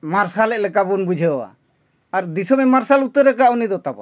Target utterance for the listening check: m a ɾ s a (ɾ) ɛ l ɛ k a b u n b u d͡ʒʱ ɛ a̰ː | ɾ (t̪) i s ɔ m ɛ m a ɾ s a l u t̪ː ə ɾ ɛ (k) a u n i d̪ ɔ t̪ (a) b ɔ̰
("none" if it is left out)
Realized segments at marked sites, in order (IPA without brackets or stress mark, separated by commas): l, d̪, k, a